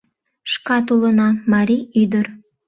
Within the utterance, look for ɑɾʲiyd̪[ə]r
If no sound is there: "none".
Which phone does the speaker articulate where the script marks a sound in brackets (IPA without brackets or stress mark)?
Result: ə